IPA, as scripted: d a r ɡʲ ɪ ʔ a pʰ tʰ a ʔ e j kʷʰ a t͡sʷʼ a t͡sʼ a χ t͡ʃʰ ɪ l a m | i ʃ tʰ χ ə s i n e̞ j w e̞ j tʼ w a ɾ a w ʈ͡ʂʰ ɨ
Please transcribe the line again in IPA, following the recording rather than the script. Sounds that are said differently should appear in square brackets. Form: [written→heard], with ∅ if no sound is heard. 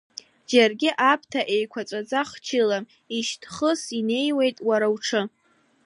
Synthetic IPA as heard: [d→d͡ʒ] a r ɡʲ ɪ ʔ a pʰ tʰ a ʔ e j kʷʰ a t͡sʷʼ a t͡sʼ a χ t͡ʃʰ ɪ l a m | i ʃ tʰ χ ə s i n e̞ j w e̞ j tʼ w a ɾ a w ʈ͡ʂʰ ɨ